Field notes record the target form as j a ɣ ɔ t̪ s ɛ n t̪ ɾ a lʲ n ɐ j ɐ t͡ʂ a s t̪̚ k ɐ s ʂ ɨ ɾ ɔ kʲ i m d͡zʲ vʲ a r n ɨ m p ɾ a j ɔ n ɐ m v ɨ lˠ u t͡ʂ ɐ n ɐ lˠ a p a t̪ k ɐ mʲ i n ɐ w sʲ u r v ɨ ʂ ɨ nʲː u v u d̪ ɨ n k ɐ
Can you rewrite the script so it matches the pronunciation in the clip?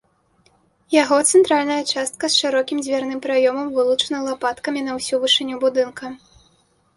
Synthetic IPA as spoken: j a ɣ ɔ t̪ s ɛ n t̪ ɾ a lʲ n ɐ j ɐ t͡ʂ a s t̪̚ k ɐ s ʂ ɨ ɾ ɔ kʲ i m d͡zʲ vʲ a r n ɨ m p ɾ a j ɔ m ɐ m v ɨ lˠ u t͡ʂ ɐ n ɐ lˠ a p a t̪ k ɐ mʲ i n ɐ w sʲ u v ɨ ʂ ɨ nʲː u b u d̪ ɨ n k ɐ